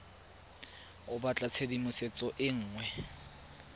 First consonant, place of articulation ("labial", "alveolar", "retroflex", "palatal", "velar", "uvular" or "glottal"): labial